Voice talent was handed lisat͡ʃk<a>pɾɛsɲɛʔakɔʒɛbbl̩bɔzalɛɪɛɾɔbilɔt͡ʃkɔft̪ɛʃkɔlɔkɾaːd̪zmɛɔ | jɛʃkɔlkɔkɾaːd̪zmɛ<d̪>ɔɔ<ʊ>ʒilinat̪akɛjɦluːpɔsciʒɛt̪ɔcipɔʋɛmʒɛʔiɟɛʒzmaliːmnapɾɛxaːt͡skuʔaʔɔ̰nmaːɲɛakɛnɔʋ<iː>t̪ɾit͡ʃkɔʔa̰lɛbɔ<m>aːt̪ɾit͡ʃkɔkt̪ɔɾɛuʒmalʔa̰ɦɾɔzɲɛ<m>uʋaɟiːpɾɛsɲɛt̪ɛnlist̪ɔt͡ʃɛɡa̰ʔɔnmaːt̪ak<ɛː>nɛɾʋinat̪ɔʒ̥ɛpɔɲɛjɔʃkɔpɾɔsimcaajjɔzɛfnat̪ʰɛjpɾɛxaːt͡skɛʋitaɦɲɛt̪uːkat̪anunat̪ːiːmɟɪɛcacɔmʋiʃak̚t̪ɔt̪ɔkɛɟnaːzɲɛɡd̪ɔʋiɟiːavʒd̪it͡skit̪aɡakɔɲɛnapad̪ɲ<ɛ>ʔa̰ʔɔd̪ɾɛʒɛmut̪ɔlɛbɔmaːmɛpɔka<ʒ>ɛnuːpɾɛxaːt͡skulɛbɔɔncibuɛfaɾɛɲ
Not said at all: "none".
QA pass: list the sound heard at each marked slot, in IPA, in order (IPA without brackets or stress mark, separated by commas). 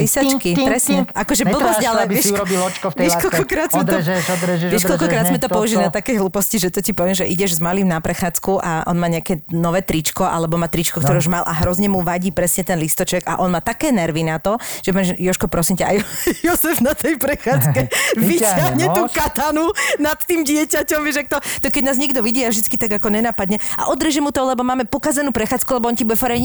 i, t̪, u, ɛː, m, m, ɛː, ɛ, z